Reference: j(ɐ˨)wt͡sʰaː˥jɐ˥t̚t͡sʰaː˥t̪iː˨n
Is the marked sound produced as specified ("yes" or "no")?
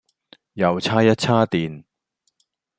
yes